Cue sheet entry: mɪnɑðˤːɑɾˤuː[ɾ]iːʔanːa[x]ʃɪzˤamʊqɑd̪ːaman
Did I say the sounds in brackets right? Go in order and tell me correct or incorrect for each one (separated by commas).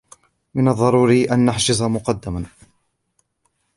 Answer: correct, incorrect